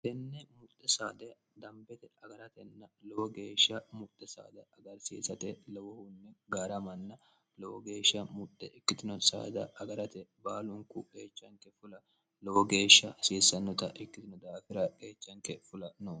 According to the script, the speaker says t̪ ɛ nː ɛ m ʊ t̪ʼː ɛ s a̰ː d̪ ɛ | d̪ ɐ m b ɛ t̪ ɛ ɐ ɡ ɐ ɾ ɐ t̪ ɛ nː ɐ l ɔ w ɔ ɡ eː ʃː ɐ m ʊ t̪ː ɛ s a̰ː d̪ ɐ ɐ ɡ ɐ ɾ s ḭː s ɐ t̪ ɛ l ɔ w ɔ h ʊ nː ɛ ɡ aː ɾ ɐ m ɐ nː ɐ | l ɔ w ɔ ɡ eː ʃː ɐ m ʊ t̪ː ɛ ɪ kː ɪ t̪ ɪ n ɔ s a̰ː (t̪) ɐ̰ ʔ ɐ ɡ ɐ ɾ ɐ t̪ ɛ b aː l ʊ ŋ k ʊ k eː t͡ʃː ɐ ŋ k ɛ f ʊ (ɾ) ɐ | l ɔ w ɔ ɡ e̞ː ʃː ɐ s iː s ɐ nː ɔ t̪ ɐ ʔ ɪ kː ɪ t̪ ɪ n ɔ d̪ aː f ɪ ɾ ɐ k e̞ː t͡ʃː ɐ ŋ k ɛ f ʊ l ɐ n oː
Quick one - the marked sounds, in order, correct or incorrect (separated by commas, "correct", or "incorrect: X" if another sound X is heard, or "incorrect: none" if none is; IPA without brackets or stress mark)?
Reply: incorrect: d̪, incorrect: l